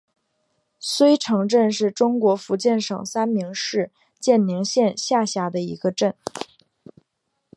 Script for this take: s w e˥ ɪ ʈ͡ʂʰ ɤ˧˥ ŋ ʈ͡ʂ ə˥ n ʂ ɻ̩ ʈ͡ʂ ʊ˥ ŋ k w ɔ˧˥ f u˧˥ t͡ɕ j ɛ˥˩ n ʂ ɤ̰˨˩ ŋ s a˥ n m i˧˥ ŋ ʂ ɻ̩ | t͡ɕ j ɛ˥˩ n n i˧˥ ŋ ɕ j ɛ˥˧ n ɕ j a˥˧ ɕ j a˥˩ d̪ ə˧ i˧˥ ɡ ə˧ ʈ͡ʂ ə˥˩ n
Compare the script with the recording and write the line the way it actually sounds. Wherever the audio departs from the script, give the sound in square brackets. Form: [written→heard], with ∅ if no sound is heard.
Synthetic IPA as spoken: s w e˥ ɪ ʈ͡ʂʰ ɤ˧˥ ŋ ʈ͡ʂ [ə˥→ə˥˧] n ʂ ɻ̩ ʈ͡ʂ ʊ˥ ŋ k w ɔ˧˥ f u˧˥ t͡ɕ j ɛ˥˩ n ʂ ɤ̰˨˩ ŋ s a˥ n m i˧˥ ŋ ʂ ɻ̩ | t͡ɕ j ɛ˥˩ n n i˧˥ ŋ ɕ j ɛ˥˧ n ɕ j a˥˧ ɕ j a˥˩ d̪ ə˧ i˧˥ ɡ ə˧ ʈ͡ʂ ə˥˩ n